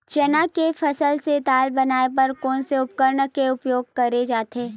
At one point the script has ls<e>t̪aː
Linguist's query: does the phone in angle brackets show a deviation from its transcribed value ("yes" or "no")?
no